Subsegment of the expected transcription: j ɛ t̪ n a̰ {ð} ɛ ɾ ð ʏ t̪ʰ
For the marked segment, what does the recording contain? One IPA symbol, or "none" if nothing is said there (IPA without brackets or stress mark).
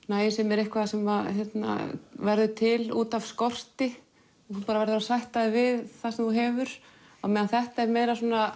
v